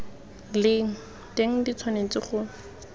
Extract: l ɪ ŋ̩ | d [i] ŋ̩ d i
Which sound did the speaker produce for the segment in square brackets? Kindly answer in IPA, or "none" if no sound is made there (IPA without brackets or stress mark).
e